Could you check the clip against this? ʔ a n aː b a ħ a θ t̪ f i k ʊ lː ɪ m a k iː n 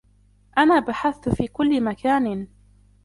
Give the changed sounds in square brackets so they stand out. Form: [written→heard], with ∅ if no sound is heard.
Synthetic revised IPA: ʔ a n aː b a ħ a θ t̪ f [i→iː] k ʊ lː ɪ m a k [iː→aː] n